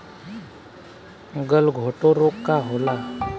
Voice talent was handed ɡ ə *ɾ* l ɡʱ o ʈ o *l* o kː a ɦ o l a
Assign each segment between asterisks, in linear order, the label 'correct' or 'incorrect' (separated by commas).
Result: incorrect, incorrect